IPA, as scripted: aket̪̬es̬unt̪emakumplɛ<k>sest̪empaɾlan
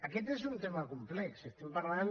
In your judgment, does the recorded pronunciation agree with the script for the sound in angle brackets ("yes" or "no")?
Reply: yes